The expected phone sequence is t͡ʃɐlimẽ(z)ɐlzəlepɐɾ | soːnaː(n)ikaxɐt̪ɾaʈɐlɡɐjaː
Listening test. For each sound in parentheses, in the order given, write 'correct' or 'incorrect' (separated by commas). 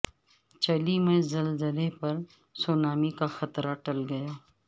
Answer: correct, incorrect